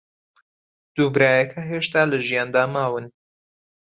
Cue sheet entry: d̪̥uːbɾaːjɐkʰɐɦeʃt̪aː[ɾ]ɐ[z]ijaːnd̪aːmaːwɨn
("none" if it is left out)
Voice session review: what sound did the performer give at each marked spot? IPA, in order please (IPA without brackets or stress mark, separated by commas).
l, ʒ